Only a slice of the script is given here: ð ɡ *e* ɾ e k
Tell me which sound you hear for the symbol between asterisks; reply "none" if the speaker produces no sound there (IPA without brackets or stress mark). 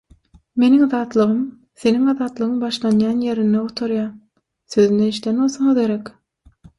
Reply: e